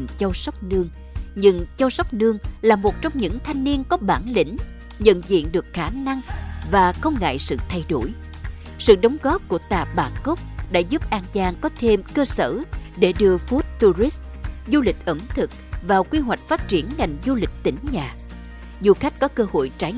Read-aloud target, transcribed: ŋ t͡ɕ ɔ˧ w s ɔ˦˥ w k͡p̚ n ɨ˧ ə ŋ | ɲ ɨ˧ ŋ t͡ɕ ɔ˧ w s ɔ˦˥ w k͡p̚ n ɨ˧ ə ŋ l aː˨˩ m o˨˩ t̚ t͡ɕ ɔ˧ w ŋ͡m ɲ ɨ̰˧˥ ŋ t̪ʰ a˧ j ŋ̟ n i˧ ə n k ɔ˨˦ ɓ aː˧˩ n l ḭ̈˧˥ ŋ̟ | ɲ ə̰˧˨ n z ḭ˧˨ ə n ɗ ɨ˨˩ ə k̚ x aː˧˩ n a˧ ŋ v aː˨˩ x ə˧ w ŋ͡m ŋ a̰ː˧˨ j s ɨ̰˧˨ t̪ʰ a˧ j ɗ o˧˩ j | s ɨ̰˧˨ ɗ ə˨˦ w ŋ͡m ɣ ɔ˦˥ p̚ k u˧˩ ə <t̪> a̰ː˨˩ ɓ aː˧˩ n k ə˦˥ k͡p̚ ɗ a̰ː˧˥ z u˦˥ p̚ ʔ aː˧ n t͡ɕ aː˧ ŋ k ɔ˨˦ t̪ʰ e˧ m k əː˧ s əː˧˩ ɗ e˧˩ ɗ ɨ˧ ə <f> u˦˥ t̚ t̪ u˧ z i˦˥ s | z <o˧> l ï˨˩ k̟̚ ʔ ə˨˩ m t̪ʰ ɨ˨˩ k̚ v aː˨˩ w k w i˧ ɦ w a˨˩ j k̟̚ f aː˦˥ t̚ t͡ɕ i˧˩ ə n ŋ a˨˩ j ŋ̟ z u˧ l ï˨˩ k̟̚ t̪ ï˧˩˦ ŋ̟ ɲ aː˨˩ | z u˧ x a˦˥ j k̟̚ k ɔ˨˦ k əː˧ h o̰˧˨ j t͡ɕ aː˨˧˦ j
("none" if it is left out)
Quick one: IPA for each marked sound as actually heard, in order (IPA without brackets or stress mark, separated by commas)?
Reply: t̪, f, u˧